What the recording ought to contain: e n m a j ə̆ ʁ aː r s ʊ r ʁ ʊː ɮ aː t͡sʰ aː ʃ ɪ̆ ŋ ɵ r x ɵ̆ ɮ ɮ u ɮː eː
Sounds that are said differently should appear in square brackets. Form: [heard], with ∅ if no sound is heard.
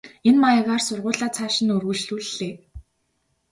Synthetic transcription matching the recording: e n m a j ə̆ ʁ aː r s ʊ r ʁ ʊː ɮ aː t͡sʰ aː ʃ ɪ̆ [n] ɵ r [ɣ] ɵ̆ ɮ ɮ u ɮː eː